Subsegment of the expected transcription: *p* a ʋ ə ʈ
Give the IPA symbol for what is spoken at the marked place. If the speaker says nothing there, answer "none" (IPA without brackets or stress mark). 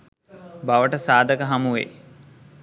b